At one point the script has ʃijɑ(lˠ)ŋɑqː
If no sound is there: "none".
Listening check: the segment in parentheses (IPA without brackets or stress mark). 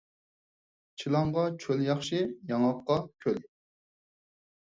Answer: none